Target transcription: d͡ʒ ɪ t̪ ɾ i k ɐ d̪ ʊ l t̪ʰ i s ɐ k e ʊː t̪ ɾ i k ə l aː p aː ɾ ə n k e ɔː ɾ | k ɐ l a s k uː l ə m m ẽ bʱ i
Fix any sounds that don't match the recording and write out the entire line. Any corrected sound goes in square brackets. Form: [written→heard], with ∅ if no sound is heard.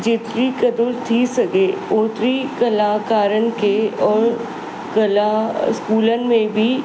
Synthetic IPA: d͡ʒ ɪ t̪ ɾ i k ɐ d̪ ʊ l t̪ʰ i s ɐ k e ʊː t̪ ɾ i k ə l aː [p→k] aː ɾ ə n k e ɔː ɾ | k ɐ l a s k uː l ə [m→n] m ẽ bʱ i